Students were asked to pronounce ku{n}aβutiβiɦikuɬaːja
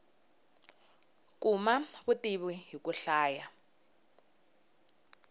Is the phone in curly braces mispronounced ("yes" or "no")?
yes